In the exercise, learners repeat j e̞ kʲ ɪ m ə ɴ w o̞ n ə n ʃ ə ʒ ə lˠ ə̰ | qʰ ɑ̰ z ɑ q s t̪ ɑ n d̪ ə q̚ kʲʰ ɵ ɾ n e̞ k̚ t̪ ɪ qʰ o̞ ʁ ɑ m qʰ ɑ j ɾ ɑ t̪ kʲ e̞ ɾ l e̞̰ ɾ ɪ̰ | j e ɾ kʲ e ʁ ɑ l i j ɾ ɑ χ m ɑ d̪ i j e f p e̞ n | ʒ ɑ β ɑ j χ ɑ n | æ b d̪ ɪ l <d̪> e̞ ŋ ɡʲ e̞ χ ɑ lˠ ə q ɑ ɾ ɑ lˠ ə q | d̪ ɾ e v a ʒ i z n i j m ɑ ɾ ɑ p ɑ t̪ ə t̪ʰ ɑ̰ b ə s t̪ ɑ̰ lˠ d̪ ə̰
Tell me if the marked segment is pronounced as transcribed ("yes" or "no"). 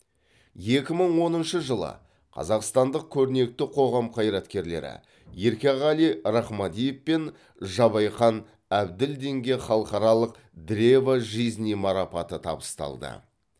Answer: yes